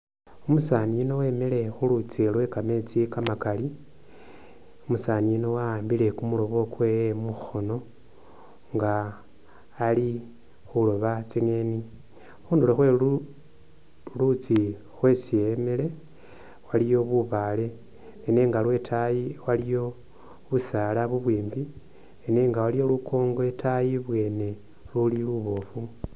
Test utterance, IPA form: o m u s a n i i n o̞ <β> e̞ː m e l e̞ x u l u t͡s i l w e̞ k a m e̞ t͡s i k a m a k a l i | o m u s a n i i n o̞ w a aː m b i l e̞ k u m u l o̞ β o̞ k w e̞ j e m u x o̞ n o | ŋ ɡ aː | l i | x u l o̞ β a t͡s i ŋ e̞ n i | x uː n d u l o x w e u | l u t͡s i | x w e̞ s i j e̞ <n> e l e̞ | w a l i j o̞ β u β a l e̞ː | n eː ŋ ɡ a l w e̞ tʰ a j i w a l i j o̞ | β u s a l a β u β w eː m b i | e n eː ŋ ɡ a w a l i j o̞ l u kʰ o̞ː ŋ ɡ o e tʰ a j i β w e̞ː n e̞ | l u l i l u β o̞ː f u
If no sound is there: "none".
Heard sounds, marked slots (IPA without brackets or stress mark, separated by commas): w, m